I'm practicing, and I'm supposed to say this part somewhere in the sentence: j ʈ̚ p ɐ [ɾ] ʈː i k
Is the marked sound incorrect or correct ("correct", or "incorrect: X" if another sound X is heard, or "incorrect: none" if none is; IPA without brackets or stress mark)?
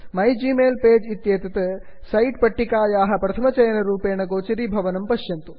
incorrect: none